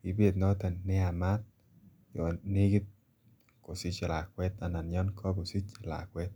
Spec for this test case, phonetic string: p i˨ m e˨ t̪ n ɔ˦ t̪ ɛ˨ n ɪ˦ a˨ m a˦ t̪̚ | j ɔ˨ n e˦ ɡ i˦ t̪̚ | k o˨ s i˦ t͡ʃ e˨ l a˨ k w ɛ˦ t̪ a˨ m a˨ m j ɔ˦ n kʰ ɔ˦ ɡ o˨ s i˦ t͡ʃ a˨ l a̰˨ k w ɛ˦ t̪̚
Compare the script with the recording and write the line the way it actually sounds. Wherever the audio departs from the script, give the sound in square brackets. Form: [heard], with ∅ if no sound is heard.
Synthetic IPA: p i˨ [b] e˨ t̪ n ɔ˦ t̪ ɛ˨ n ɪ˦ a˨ m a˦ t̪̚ | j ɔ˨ n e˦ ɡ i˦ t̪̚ | k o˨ s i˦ t͡ʃ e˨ l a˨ k w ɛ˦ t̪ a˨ [n] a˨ [n] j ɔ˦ n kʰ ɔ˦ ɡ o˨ s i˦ t͡ʃ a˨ l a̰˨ k w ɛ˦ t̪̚